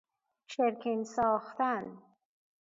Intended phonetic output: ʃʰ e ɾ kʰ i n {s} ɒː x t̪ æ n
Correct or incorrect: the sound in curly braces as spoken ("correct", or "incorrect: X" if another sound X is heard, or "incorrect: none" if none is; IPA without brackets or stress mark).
correct